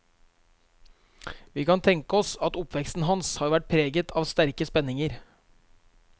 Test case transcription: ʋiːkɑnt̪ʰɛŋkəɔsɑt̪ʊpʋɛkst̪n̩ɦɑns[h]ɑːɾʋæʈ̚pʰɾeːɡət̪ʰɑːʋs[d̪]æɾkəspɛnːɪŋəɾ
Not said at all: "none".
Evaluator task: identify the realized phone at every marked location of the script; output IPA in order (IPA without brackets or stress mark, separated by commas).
h, t̪